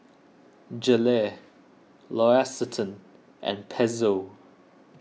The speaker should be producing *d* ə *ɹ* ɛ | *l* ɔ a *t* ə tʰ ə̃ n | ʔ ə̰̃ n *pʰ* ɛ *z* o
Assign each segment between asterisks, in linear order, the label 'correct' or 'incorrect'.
incorrect: d͡ʒ, incorrect: l, correct, incorrect: s, correct, correct

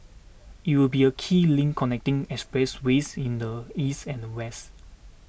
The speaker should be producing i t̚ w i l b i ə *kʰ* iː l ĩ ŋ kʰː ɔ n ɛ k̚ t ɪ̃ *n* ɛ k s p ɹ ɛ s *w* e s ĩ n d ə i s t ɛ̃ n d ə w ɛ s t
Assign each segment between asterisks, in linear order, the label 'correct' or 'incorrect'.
correct, incorrect: ŋ, correct

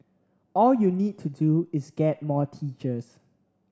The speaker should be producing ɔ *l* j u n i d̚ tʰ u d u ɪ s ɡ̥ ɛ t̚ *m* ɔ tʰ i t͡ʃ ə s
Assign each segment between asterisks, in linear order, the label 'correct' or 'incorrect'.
correct, correct

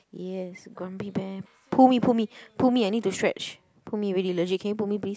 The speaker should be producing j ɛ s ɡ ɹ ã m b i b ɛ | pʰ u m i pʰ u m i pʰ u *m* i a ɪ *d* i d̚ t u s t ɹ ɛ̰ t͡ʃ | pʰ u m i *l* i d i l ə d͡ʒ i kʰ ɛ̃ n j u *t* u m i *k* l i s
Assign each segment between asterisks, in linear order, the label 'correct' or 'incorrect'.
correct, incorrect: n, incorrect: ɹ, incorrect: p, incorrect: p

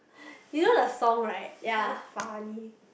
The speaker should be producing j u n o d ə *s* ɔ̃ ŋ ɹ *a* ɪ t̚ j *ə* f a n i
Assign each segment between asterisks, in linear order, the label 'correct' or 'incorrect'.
correct, correct, incorrect: a

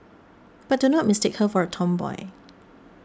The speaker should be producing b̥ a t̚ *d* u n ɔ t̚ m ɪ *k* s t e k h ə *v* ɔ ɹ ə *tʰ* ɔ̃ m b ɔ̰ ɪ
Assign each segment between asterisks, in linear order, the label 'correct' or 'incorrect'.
correct, incorrect: none, incorrect: f, correct

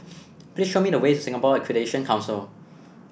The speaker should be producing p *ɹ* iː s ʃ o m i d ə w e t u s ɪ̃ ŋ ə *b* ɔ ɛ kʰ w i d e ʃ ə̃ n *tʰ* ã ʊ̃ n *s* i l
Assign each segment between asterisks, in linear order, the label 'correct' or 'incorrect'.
incorrect: l, incorrect: p, incorrect: kʰ, correct

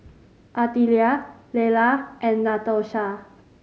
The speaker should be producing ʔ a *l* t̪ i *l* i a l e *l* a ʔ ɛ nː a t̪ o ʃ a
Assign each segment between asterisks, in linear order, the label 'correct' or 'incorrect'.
incorrect: none, correct, correct

